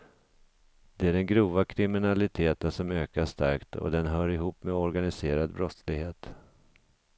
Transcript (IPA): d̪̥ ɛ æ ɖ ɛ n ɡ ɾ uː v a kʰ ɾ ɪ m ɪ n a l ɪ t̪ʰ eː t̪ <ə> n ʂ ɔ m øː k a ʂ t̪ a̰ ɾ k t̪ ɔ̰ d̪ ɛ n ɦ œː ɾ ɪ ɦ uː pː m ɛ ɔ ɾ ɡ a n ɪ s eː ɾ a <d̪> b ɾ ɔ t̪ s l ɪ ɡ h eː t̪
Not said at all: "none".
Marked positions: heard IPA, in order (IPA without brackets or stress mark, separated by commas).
ə, d̪